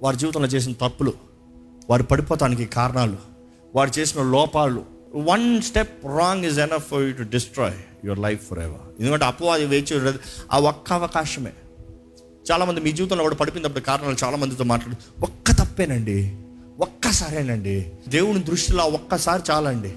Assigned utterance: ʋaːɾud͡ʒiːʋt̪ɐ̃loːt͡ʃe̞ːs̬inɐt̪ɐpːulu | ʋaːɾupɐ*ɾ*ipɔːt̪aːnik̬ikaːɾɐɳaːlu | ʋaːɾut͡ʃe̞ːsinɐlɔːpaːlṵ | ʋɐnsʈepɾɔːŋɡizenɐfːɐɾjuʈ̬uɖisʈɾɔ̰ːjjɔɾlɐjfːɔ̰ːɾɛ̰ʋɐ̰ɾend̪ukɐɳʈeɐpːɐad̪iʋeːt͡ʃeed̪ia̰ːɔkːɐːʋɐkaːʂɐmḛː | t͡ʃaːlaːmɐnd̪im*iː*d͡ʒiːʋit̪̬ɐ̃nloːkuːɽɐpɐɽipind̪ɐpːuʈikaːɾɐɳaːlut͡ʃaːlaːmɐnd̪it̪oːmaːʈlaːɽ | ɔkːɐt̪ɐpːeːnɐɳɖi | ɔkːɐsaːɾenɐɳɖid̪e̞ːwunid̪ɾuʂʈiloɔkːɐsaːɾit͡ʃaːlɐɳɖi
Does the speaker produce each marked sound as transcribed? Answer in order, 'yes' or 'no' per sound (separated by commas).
no, yes